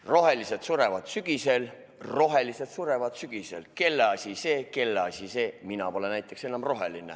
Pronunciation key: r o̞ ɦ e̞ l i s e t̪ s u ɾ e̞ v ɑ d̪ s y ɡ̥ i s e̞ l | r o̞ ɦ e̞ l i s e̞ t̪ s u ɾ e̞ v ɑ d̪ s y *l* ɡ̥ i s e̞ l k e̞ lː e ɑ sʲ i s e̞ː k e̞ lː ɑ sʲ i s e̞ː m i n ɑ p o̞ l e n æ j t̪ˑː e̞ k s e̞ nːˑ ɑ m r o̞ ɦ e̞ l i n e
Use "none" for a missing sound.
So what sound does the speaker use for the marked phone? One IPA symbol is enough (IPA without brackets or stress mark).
none